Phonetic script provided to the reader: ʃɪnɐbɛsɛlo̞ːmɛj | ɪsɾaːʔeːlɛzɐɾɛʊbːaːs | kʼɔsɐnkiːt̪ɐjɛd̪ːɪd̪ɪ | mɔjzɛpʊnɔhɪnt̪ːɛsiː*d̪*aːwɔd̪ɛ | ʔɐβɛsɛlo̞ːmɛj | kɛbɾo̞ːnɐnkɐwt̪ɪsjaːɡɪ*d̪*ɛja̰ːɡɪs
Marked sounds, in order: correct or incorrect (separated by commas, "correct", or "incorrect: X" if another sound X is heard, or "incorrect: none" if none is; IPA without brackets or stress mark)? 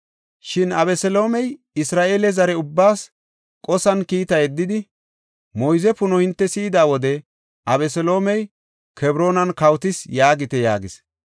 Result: correct, incorrect: t̪